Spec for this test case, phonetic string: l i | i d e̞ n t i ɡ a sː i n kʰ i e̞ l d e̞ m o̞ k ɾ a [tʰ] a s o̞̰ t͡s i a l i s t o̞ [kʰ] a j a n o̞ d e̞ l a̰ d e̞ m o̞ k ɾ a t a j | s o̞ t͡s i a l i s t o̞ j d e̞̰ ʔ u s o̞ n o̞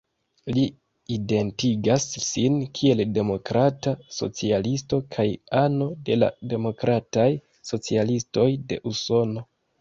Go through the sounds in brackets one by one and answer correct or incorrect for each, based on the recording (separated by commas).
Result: incorrect, correct